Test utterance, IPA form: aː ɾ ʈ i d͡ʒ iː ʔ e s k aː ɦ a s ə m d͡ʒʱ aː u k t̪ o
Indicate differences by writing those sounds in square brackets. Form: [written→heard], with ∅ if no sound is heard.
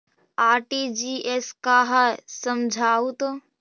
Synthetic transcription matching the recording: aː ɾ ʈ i d͡ʒ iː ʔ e s k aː ɦ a s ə m d͡ʒʱ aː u [k→∅] t̪ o